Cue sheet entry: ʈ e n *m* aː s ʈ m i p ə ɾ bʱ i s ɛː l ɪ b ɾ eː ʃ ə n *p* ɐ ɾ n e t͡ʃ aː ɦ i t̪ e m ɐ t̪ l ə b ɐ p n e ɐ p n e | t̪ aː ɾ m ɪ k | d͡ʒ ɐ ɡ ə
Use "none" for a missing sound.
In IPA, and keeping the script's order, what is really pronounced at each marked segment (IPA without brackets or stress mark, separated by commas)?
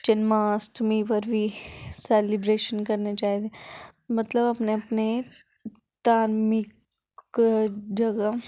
m, k